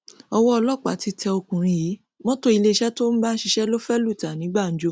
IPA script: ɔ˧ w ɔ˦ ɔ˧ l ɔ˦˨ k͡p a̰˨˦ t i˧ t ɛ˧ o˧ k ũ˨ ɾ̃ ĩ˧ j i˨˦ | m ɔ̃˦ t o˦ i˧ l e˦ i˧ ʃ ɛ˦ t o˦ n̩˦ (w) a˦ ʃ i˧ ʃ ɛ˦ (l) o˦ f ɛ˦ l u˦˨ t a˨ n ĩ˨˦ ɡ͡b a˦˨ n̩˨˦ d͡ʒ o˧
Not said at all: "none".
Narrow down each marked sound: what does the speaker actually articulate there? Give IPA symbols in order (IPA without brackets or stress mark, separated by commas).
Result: b, l